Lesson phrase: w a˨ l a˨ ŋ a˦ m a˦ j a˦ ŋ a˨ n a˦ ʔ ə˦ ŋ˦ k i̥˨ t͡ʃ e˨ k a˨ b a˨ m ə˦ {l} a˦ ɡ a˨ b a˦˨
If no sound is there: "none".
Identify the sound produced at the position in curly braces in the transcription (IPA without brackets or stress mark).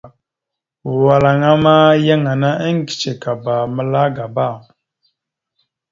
l